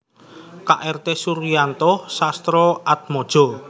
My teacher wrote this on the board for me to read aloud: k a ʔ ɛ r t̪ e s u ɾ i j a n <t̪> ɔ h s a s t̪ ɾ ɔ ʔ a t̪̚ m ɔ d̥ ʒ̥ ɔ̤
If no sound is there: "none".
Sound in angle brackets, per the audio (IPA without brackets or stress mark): t̪